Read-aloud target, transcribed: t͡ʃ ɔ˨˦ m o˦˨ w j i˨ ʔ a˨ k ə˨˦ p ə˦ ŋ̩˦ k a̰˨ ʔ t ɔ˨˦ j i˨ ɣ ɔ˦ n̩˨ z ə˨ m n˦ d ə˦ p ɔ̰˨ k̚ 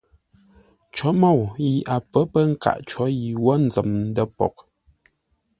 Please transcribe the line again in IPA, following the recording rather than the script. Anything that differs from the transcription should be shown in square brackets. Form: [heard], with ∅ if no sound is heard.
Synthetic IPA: t͡ʃ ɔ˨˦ m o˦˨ w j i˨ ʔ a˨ [p] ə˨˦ p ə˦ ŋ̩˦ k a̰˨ ʔ [t͡ʃ] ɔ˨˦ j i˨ [w] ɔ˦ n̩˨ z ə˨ m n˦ d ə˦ p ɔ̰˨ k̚